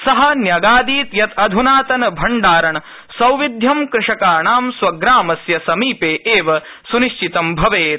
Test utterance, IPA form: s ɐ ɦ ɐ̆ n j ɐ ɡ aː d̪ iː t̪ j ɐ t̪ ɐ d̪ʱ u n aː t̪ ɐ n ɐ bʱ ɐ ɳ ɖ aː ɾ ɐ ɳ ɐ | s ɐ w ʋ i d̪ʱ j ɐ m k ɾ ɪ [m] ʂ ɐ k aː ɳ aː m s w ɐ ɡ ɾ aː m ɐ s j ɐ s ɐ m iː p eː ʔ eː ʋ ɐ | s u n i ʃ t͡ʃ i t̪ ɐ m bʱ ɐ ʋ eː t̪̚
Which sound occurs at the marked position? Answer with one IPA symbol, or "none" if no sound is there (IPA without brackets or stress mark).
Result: none